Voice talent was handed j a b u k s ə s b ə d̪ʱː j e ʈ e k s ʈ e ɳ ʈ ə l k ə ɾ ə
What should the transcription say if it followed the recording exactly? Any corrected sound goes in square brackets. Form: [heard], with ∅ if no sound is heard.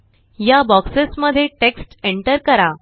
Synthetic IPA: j a b [ɔ] k s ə s [m] ə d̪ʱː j e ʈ e k s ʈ e ɳ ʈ ə [ɾ] k ə ɾ [a]